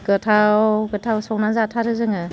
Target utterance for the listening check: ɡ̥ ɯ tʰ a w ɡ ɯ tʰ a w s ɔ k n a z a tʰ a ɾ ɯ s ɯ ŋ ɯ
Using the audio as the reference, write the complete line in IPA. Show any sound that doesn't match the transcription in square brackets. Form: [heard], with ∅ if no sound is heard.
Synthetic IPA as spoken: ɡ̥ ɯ tʰ a w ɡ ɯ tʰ a w s ɔ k n a z a tʰ a ɾ ɯ [z] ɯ ŋ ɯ